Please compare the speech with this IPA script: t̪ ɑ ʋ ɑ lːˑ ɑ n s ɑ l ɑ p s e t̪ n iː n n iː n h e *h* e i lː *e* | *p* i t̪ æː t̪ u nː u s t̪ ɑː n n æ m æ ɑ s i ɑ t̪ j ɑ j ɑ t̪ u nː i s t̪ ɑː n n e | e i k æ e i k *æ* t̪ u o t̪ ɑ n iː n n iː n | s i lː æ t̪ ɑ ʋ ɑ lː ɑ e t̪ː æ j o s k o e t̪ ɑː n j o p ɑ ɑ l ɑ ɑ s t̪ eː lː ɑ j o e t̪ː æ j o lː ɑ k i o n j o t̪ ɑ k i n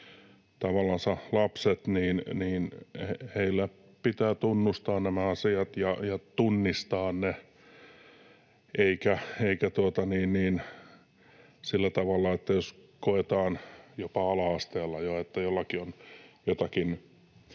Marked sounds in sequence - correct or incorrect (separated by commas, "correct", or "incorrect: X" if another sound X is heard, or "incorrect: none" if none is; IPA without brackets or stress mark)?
correct, incorrect: æ, correct, correct